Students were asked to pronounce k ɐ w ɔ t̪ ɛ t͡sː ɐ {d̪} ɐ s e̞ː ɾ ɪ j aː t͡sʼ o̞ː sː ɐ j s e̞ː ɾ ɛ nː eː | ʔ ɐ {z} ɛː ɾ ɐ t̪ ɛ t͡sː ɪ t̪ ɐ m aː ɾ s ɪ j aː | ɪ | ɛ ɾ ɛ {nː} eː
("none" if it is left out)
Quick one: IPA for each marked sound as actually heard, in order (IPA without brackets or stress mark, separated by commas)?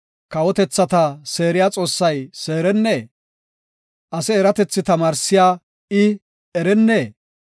t̪, s, nː